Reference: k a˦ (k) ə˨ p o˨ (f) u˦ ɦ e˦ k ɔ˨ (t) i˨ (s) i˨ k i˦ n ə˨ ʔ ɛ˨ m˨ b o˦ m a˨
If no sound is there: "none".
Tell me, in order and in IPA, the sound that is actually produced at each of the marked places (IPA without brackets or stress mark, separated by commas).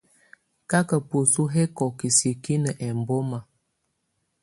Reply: k, s, k, s